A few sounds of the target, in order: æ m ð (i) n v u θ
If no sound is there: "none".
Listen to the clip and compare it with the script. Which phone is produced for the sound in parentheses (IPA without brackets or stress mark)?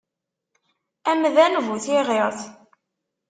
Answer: æ